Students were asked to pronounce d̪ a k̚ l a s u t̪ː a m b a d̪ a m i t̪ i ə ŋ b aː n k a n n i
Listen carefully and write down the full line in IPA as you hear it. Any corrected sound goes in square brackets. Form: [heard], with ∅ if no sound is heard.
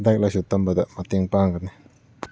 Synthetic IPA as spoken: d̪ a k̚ l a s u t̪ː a m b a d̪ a m [a] t̪ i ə ŋ [p] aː [ŋ] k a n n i